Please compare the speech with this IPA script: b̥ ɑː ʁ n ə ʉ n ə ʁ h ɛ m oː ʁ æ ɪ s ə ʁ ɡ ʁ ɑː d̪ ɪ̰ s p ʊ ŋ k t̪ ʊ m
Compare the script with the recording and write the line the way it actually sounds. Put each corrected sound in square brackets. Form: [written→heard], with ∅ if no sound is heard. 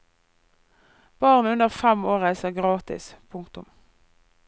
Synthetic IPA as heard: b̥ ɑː ʁ n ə ʉ n ə ʁ [h→f] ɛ m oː ʁ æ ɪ s ə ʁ ɡ ʁ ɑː [d̪→t̪] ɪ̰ s [p→pʰ] ʊ ŋ k t̪ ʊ m